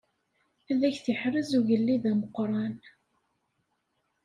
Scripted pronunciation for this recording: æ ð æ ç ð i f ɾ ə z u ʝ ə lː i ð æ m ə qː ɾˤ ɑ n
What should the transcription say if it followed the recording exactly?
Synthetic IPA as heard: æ ð æ ç θ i ħ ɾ ə z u ʝ ə lː i ð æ m ə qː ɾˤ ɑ n